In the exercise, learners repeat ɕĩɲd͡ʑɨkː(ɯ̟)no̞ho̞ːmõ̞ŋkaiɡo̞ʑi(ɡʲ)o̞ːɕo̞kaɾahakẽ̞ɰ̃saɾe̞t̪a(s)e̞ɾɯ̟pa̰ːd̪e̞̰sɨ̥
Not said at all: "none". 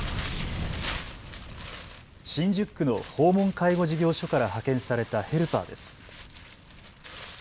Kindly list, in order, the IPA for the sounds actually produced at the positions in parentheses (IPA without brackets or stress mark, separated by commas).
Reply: ɯ̟, ɡʲ, h